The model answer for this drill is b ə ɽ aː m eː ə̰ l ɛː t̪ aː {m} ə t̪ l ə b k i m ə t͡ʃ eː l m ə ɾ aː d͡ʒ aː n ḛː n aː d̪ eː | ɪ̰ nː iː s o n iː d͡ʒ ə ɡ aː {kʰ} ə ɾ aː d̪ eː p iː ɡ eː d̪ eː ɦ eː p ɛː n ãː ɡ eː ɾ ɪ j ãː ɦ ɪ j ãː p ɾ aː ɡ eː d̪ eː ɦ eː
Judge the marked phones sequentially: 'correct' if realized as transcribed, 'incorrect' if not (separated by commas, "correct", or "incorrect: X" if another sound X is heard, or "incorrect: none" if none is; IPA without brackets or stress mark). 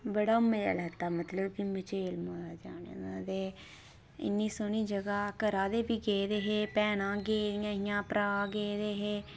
correct, incorrect: k